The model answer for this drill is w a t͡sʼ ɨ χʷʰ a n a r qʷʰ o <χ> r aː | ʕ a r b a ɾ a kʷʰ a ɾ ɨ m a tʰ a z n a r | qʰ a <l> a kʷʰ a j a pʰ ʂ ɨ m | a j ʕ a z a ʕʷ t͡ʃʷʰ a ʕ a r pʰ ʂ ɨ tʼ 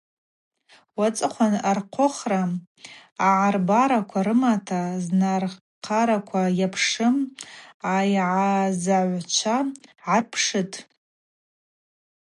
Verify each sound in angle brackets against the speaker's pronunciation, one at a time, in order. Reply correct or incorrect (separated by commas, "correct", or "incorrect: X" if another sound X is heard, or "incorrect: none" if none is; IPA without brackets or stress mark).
correct, incorrect: ɾ